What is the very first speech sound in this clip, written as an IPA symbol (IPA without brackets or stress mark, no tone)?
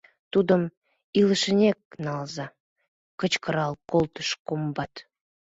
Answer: t̪